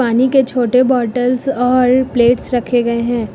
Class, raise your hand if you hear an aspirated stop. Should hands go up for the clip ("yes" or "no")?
yes